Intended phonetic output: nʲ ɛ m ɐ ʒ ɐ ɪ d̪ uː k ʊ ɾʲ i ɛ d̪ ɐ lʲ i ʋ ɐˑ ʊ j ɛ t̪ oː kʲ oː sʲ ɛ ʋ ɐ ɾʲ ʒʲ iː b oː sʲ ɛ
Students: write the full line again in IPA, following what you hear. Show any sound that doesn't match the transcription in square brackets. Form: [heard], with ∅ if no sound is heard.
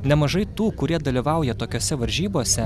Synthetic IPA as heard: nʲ ɛ m ɐ ʒ ɐ ɪ [t̪] uː k ʊ ɾʲ i ɛ d̪ ɐ lʲ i ʋ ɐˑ ʊ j ɛ t̪ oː kʲ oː sʲ ɛ ʋ ɐ ɾʲ ʒʲ iː b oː sʲ ɛ